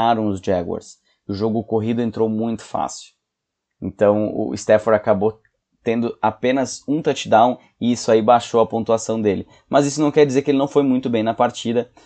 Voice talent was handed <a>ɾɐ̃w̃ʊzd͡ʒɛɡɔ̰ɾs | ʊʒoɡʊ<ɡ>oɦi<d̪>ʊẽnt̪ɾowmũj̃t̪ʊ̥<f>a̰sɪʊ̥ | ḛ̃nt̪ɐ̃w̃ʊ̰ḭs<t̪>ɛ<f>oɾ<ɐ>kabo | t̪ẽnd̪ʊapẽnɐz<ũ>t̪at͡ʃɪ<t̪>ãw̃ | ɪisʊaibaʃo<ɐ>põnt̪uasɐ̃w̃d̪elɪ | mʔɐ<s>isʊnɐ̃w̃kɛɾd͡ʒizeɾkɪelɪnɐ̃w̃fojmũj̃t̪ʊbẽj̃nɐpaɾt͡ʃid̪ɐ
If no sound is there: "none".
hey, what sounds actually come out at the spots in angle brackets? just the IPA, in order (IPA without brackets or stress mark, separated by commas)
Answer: a, k, d̪, f, t̪, f, a, ũ, d̪, ɐ, z